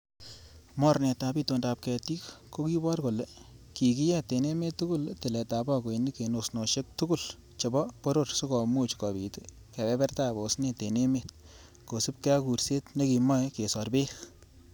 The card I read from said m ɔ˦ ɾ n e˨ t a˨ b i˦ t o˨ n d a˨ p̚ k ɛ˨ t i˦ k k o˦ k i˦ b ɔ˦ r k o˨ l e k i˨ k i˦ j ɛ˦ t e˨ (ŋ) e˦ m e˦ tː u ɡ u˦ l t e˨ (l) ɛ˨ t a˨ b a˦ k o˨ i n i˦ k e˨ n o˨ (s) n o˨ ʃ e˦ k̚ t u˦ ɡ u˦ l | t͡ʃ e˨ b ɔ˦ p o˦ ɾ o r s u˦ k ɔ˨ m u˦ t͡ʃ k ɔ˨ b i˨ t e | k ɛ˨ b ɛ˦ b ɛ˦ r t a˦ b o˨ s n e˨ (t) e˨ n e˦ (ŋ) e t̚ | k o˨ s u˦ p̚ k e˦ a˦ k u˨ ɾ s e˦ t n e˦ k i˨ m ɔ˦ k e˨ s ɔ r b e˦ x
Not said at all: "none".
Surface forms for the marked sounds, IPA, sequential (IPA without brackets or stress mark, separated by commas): n, l, s, t, m